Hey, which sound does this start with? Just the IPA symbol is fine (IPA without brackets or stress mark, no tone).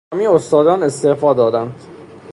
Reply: m